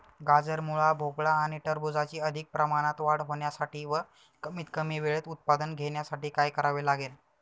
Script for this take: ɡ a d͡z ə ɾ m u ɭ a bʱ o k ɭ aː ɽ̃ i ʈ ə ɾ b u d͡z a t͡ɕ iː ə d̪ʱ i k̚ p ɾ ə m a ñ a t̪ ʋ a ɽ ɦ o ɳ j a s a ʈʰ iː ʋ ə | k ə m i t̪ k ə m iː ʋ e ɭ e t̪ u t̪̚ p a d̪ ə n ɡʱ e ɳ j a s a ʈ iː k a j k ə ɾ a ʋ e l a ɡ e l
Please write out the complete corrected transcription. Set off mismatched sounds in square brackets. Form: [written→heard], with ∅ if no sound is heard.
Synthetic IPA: ɡ a d͡z ə ɾ m u ɭ a bʱ o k ɭ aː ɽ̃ i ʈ ə ɾ b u d͡z a t͡ɕ iː ə d̪ʱ i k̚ p ɾ ə m a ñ a t̪ ʋ a ɽ ɦ o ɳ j a s a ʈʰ iː ʋ ə | k ə m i t̪ k ə m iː ʋ e ɭ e t̪ u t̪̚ p a d̪ ə n ɡʱ e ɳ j a s a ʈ iː k a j k ə ɾ a ʋ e l a ɡ e l